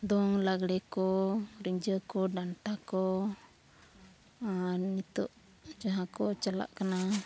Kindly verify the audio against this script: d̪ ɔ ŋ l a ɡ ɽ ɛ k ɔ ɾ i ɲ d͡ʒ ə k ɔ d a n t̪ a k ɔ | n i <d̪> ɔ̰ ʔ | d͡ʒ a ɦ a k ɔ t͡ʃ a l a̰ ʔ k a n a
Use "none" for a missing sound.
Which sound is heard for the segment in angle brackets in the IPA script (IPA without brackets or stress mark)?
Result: t̪